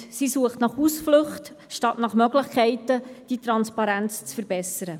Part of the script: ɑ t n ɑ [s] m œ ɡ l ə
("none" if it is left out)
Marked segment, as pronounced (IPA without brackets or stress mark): χ